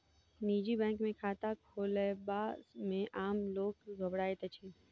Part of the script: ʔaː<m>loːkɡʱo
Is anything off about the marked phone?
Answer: no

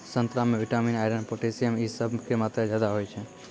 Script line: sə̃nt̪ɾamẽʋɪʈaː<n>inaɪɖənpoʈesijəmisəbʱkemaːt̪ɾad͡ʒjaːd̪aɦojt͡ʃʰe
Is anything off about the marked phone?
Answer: yes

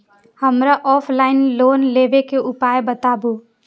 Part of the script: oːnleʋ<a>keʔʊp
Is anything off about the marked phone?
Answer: yes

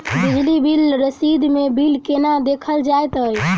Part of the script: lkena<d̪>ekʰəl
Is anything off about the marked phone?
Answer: no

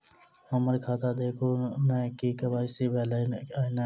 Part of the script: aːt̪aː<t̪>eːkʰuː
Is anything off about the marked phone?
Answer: yes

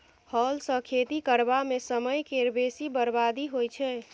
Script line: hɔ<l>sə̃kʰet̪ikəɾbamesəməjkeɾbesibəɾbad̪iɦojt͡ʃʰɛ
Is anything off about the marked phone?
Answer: no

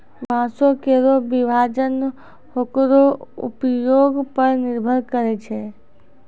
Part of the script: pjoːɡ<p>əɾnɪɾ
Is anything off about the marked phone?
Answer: no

